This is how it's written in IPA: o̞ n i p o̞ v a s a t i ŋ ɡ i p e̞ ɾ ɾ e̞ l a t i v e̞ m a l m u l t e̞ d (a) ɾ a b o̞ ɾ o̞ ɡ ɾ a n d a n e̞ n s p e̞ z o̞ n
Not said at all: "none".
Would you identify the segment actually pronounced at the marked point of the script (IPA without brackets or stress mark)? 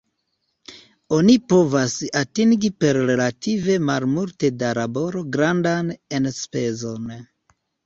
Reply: a